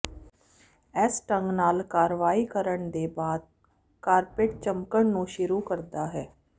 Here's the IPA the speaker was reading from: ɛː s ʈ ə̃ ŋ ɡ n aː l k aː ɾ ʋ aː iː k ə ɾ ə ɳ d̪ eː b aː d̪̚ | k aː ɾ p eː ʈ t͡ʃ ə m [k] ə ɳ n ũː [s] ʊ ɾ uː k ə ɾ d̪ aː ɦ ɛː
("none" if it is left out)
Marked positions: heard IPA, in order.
k, ʃ

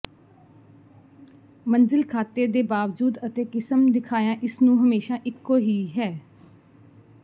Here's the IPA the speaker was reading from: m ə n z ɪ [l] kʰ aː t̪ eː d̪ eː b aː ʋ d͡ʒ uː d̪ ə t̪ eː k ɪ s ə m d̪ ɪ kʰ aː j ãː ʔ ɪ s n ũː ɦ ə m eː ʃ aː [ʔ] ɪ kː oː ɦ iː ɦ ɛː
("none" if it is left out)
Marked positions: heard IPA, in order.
l, ʔ

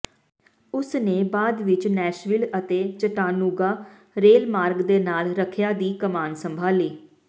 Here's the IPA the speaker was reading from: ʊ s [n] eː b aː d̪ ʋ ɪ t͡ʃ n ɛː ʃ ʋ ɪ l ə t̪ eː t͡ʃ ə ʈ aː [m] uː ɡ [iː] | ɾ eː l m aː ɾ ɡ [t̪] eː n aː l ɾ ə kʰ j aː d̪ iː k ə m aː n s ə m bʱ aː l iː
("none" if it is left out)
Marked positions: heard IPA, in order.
n, n, aː, d̪

